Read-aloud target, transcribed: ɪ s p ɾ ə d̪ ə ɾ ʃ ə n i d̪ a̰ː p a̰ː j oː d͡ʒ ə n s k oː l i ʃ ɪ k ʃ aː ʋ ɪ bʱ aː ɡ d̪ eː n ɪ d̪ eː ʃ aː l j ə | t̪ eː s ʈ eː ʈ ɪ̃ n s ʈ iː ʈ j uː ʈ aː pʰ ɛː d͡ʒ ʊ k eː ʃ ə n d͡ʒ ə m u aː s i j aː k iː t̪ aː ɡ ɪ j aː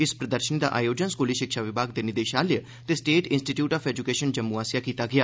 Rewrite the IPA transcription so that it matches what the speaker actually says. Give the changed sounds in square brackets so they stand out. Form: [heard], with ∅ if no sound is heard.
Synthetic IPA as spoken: ɪ s p ɾ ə d̪ ə ɾ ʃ ə n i d̪ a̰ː [ʔ] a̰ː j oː d͡ʒ ə n s k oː l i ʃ ɪ k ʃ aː ʋ ɪ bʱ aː ɡ d̪ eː n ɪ d̪ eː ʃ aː l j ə | t̪ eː s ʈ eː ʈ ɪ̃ n s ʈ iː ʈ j uː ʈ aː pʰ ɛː d͡ʒ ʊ k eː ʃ ə n d͡ʒ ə m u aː s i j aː k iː t̪ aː ɡ ɪ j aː